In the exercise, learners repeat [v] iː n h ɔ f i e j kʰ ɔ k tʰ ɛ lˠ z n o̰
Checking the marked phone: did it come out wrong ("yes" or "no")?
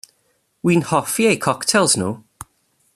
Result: yes